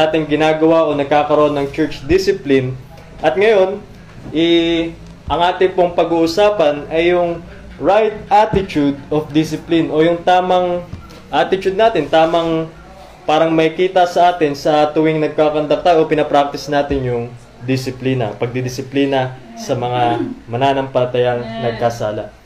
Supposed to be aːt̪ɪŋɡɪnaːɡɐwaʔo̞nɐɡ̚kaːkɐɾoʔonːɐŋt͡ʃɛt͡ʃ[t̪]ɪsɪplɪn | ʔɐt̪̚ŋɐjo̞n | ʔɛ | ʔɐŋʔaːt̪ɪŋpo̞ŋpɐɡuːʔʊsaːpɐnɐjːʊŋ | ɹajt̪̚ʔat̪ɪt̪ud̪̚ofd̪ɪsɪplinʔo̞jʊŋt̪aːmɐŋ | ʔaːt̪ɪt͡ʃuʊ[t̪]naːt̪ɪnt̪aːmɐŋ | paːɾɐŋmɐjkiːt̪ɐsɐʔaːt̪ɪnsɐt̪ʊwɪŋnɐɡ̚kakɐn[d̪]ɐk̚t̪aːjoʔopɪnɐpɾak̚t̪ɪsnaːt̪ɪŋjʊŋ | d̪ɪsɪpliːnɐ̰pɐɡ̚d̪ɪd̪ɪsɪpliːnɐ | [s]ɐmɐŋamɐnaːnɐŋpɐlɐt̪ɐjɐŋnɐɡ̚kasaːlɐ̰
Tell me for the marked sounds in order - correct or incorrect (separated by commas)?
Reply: incorrect, incorrect, correct, correct